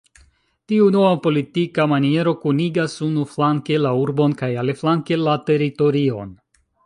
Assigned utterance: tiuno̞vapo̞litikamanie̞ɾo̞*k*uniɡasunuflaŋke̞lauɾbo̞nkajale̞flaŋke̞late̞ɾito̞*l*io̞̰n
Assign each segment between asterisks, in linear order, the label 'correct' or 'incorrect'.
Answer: correct, incorrect: ɾ

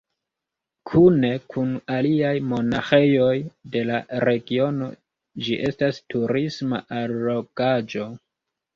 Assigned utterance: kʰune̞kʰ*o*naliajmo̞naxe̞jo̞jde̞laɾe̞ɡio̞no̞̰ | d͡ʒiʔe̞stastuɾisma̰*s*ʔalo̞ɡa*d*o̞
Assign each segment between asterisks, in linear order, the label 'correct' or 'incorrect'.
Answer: incorrect: u, incorrect: none, incorrect: d͡ʒ

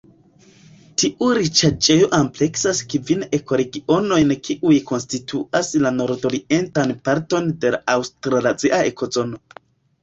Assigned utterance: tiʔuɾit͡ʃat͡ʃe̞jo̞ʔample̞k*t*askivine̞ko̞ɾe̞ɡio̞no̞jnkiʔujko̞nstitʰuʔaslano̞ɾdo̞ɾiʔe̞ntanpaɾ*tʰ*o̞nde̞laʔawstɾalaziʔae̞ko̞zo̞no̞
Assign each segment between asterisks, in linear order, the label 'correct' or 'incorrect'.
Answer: incorrect: s, incorrect: t

